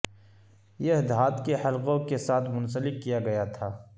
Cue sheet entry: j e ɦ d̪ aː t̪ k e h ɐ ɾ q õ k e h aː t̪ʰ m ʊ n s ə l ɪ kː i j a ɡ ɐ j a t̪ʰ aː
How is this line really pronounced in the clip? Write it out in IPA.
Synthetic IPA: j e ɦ d̪ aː t̪ k e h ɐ l q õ k e s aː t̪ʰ m ʊ n s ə l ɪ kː i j a ɡ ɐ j a t̪ʰ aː